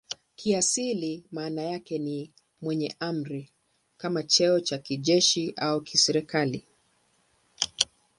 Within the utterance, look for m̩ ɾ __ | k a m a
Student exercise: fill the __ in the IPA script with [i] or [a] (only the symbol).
i